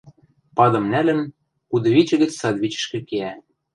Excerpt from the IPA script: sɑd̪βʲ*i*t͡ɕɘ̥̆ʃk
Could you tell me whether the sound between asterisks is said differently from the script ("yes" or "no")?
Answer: no